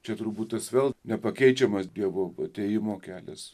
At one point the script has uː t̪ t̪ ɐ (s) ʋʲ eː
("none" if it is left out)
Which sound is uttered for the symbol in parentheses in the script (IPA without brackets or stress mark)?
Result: s